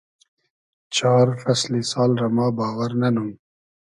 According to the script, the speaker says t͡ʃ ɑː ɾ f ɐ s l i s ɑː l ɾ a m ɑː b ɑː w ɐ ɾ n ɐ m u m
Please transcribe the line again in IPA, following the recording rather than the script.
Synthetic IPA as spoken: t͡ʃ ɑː ɾ f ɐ s l i s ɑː l ɾ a m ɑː b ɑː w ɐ ɾ n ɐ n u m